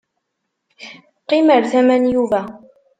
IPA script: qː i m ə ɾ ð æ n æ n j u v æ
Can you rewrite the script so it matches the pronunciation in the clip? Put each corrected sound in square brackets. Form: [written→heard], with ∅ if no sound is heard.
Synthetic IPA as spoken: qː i m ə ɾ [ð→θ] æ [n→m] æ n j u v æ